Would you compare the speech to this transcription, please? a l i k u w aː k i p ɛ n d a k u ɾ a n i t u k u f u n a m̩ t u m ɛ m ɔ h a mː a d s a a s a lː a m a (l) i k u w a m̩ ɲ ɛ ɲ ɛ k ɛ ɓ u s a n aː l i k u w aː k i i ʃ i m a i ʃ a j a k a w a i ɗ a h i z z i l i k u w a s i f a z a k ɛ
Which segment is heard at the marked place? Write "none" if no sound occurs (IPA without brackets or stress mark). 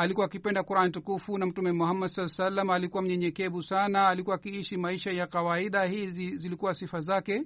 l